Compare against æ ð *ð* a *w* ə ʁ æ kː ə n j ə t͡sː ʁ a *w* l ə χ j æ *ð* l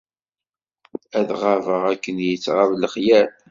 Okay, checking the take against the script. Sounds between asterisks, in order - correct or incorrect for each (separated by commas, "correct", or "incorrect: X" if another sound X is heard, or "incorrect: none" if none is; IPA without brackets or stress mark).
incorrect: ʁ, incorrect: v, incorrect: v, incorrect: none